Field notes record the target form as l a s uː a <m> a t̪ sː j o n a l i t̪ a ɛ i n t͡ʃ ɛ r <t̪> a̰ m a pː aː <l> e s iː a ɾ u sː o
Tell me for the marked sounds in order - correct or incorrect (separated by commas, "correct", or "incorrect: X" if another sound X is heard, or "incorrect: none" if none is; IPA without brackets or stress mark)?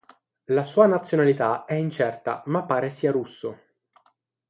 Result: incorrect: n, correct, incorrect: ɾ